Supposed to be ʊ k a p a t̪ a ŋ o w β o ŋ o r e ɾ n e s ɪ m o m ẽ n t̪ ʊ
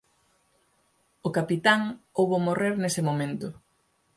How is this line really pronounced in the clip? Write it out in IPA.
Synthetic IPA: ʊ k a p i t̪ a ŋ o w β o m o r e ɾ n e s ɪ m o m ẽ n t̪ ʊ

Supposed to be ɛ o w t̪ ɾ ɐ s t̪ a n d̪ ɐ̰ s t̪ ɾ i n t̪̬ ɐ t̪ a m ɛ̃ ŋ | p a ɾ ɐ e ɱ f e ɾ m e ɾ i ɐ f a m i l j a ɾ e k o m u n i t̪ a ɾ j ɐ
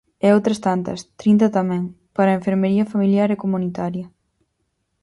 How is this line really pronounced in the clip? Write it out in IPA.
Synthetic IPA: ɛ o w t̪ ɾ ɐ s t̪ a n t̪ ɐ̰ s t̪ ɾ i n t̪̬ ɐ t̪ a m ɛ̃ ŋ | p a ɾ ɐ e ɱ f e ɾ m e ɾ i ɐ f a m i l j a ɾ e k o m u n i t̪ a ɾ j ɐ

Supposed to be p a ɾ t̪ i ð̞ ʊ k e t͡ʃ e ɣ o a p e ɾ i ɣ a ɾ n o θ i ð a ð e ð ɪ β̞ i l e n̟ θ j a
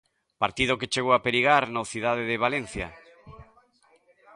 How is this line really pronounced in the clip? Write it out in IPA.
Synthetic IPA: p a ɾ t̪ i ð̞ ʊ k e t͡ʃ e ɣ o a p e ɾ i ɣ a ɾ n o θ i ð a ð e ð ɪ β̞ a l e n̟ θ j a

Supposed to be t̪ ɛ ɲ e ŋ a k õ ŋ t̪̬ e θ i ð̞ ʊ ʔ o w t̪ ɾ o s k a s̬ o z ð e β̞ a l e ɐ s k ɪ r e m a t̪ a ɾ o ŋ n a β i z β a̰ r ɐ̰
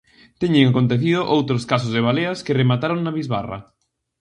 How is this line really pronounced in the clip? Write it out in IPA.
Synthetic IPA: t̪ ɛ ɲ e ŋ a k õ n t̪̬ e θ i ð̞ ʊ ʔ o w t̪ ɾ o s k a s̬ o z ð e β̞ a l e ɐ s k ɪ r e m a t̪ a ɾ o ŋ n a β i z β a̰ r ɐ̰

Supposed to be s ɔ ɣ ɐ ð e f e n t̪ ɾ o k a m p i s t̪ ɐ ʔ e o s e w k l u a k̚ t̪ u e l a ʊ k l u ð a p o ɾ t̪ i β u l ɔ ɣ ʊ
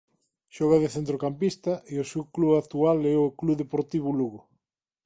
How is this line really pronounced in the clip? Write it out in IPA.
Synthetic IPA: ʃ ɔ ɣ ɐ ð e θ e n t̪ ɾ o k a m p i s t̪ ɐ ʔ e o s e w k l u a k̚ t̪ u a l ɛ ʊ k l u ð e p o ɾ t̪ i β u l u ɣ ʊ

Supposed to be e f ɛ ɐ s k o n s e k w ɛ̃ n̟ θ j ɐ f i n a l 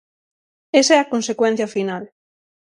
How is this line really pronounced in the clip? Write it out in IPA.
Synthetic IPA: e s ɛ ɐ k o n s e k w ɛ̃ n̟ θ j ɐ f i n a l

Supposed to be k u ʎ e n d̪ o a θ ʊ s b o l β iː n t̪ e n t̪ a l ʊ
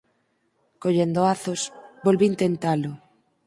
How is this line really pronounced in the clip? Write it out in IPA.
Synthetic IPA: k o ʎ e n d̪ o a θ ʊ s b o l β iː n t̪ e n t̪ a l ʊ

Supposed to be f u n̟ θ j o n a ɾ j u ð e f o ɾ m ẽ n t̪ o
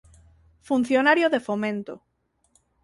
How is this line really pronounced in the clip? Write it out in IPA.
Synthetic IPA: f u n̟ θ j o n a ɾ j o ð e f o m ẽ n t̪ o

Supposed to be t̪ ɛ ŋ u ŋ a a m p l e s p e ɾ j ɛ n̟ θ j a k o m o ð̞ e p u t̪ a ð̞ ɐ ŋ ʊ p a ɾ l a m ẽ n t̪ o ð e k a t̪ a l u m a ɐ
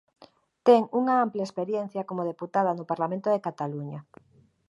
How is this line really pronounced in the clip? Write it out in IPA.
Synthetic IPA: t̪ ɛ ŋ u ŋ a a m p l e s p e ɾ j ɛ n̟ θ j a k o m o ð̞ e p u t̪ a ð̞ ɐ n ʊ p a ɾ l a m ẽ n t̪ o ð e k a t̪ a l u ɲ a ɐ

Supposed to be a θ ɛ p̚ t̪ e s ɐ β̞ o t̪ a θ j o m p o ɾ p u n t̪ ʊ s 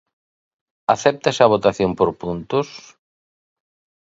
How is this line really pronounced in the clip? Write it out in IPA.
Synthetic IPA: a θ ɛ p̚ t̪ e s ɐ β̞ o t̪ a θ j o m p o ɾ p u n t̪ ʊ s

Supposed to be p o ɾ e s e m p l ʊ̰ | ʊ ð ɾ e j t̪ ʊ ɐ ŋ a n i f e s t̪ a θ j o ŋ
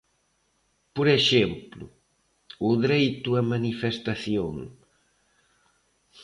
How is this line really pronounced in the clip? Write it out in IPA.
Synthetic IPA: p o ɾ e ʃ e m p l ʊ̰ | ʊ ð ɾ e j t̪ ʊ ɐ m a n i f e s t̪ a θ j o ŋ

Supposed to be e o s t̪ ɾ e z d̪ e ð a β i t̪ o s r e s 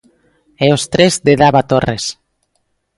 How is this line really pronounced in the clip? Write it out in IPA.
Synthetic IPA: e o s t̪ ɾ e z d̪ e ð a β a t̪ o r e s

